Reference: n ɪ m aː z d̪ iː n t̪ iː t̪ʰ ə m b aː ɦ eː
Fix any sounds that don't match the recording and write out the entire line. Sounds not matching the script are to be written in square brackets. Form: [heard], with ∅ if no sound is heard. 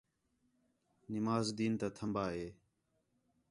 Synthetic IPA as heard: n ɪ m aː z d̪ iː n t̪ [aː] t̪ʰ ə m b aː ɦ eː